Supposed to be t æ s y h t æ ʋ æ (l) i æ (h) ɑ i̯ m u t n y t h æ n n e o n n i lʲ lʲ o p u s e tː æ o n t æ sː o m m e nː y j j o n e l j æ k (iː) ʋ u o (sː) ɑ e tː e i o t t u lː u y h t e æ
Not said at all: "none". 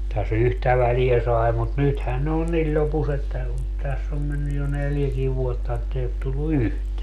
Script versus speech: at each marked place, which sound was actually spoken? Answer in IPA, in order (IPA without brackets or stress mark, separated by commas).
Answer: l, s, iː, tː